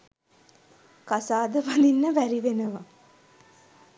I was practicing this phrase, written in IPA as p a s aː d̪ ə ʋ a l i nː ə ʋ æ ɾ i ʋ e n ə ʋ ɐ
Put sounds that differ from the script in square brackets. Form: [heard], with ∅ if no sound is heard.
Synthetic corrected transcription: [k] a s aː d̪ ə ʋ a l i nː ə ʋ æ ɾ i ʋ e n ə ʋ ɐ